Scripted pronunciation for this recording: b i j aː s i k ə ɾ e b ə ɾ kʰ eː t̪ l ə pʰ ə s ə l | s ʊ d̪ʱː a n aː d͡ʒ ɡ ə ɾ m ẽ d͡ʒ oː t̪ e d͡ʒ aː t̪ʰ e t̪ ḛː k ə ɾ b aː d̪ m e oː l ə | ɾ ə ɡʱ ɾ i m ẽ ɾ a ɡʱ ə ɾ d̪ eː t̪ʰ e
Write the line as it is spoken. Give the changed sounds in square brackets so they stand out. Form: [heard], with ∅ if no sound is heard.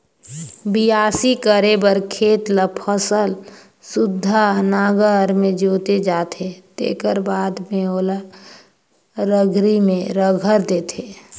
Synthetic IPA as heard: b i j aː s i k ə ɾ e b ə ɾ kʰ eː t̪ l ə pʰ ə s ə l | s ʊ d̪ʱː a n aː [∅] ɡ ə ɾ m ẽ d͡ʒ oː t̪ e d͡ʒ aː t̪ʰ e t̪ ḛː k ə ɾ b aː d̪ m e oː l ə | ɾ ə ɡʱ ɾ i m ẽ ɾ [ə] ɡʱ ə ɾ d̪ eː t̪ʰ e